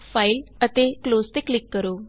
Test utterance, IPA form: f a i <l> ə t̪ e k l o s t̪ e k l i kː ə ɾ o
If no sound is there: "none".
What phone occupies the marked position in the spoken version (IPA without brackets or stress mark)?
l